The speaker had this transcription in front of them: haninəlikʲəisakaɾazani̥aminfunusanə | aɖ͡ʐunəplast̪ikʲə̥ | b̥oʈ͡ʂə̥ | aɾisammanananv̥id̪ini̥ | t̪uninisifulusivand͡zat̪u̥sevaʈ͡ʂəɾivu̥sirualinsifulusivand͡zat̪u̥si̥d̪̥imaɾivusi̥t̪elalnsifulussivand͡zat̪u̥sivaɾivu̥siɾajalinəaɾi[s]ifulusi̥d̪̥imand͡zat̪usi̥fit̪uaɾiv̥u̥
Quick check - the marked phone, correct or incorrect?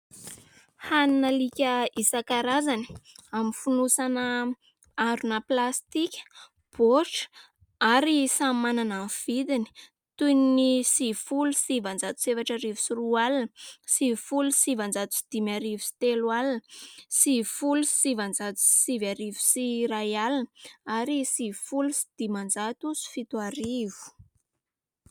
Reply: correct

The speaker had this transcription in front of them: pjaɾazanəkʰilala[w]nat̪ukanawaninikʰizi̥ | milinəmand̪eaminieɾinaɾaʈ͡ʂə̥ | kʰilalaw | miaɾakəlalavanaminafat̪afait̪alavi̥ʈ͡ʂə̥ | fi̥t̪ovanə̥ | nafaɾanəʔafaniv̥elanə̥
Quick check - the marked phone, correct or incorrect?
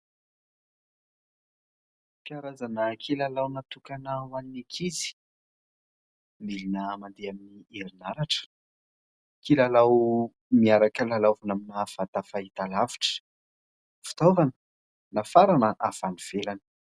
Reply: correct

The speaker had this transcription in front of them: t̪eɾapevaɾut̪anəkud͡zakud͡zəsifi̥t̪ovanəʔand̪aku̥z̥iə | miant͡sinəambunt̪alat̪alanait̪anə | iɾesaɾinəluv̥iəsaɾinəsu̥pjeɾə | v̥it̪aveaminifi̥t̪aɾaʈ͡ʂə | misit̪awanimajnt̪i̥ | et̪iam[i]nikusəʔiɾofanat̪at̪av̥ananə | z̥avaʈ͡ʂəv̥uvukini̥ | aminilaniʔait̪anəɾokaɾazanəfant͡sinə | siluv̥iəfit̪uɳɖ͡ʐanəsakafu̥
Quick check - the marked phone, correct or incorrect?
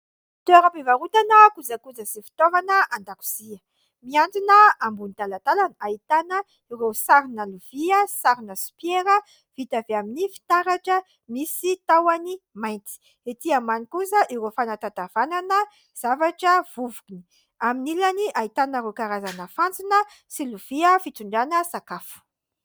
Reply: incorrect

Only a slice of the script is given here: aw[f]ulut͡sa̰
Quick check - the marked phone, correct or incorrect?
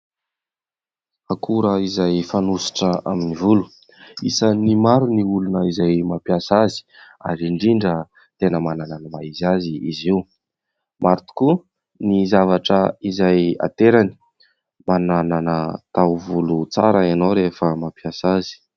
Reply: incorrect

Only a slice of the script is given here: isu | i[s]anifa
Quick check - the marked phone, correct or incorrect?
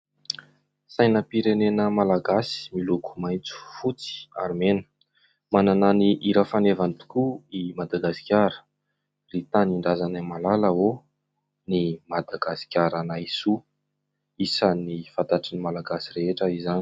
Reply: correct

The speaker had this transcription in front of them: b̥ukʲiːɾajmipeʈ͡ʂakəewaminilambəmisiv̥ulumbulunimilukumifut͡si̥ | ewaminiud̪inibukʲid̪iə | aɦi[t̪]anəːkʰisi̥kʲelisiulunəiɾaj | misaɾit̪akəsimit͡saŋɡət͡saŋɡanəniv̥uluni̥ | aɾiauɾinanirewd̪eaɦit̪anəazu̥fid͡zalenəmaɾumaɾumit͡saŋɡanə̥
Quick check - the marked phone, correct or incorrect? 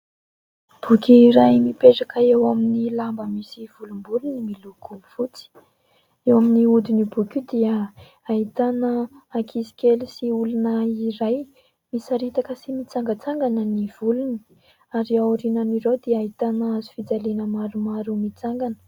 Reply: correct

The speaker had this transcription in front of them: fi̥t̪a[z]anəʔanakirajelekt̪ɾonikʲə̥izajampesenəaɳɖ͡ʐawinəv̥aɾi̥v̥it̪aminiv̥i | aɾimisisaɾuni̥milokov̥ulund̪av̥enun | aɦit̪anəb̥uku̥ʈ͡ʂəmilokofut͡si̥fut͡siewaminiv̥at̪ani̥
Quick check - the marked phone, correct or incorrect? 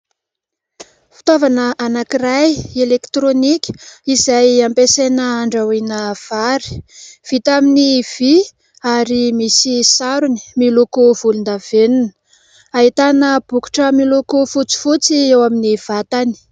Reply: incorrect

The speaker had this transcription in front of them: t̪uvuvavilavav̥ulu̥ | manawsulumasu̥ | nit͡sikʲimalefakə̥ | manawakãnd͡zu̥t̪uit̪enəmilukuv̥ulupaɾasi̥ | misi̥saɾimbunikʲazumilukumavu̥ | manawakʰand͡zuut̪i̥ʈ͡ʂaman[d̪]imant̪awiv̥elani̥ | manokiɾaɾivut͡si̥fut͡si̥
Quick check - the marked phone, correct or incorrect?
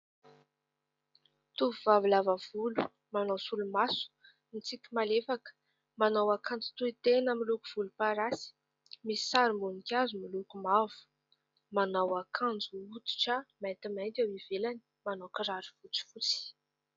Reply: incorrect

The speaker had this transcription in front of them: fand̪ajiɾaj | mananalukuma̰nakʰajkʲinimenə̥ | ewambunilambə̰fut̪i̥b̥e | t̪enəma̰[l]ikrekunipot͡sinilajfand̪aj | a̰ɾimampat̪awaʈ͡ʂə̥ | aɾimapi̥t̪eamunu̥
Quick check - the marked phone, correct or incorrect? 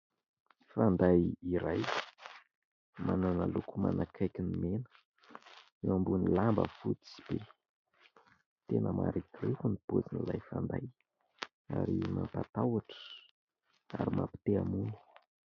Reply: incorrect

